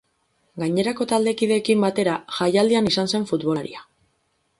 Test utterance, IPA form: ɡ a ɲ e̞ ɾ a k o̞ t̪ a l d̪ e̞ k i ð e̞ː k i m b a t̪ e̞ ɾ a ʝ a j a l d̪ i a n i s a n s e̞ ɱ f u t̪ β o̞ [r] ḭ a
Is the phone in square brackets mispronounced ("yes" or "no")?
yes